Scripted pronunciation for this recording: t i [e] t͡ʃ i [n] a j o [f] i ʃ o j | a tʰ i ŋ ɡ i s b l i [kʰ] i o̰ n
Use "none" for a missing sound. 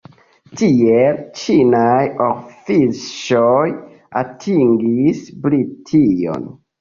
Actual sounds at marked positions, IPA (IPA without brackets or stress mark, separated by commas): e, n, f, tʰ